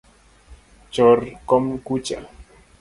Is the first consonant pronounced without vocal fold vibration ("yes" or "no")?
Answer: yes